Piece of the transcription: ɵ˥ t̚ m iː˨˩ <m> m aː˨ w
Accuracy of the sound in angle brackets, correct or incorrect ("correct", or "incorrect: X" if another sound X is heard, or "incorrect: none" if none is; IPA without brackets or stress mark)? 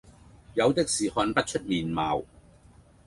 incorrect: n